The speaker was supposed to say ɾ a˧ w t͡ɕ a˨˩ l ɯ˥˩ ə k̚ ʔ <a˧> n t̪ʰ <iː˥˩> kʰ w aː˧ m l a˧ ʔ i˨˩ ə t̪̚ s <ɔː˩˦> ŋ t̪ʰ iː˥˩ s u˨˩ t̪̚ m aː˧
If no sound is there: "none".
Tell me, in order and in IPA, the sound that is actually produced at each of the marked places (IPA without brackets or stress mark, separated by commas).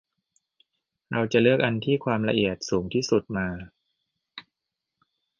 a˧, iː˥˩, uː˩˦